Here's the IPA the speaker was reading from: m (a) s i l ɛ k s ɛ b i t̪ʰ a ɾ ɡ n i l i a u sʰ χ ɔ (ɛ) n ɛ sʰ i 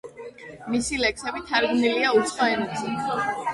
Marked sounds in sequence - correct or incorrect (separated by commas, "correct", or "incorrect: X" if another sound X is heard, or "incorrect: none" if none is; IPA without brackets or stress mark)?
incorrect: i, correct